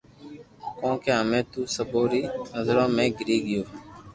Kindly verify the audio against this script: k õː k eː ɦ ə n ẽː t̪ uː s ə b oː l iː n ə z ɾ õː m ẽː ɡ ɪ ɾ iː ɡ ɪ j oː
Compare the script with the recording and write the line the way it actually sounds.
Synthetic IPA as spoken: k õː k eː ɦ ə m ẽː t̪ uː s ə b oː ɾ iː n ə z ɾ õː m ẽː ɡ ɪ ɾ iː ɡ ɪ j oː